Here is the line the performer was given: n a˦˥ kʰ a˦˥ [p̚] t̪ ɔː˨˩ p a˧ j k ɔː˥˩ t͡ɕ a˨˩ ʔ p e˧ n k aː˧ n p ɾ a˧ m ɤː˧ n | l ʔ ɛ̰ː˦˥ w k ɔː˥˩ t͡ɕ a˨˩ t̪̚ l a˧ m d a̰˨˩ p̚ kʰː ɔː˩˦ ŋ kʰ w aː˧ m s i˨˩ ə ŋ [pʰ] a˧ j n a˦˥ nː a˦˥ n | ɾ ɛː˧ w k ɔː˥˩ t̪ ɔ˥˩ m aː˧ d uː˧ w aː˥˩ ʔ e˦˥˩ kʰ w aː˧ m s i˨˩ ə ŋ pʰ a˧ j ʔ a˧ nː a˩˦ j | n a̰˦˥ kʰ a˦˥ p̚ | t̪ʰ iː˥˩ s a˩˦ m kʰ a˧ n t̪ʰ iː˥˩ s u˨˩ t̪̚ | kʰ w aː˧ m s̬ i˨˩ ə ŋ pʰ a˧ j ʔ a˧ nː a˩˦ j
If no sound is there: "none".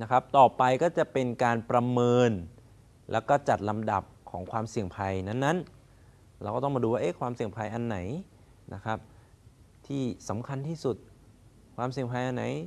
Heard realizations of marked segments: p̚, pʰ

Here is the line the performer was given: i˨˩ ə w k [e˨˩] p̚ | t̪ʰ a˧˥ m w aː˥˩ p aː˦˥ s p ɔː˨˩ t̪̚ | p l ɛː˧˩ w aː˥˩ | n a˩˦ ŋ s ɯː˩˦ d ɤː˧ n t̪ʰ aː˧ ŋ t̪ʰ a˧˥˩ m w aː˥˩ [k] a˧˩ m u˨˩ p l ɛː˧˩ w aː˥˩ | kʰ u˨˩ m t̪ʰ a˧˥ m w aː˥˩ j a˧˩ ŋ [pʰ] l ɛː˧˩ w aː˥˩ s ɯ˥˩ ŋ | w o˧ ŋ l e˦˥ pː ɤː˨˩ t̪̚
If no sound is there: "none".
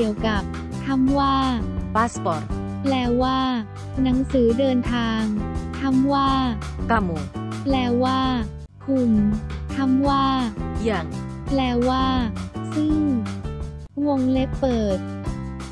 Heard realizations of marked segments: a˨˩, k, p

